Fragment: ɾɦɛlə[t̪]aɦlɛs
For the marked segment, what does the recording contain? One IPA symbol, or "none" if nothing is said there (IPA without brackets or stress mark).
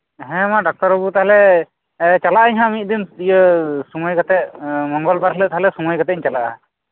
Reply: t̪